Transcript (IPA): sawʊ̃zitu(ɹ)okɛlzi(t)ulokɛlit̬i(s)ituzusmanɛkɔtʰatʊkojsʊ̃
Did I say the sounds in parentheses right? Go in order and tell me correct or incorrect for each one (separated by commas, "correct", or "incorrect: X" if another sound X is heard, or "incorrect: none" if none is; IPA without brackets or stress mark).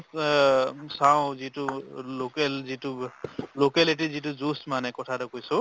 incorrect: l, correct, incorrect: z